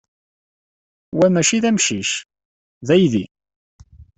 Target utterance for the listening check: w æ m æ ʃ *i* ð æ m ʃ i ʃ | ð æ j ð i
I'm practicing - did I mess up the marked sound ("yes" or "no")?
no